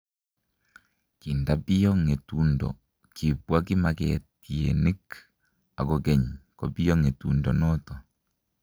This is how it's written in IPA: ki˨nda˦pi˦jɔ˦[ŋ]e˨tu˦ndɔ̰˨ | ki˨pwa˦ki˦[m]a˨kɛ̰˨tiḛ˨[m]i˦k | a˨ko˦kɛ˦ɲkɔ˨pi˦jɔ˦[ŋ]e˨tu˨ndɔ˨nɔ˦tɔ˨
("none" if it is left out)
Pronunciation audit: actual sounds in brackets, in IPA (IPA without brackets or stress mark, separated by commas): ŋ, m, n, ŋ